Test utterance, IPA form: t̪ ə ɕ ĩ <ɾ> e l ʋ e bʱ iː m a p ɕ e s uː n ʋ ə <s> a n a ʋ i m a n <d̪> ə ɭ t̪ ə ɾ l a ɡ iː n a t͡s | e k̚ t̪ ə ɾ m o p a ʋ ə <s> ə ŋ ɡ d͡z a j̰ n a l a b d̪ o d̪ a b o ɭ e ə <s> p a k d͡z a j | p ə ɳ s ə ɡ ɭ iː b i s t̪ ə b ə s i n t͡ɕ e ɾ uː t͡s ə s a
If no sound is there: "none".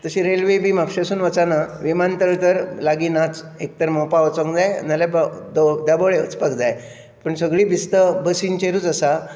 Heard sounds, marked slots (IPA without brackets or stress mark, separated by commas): ɾ, t͡s, t̪, t͡s, t͡s